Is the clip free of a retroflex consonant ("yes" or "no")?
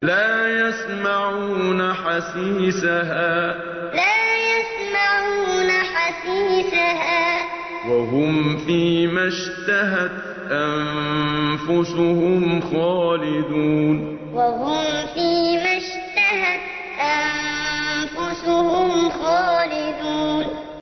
yes